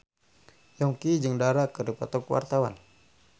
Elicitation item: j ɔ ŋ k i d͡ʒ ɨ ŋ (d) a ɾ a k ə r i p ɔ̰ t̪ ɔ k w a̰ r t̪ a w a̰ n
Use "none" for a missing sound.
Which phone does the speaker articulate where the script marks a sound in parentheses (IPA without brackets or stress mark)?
d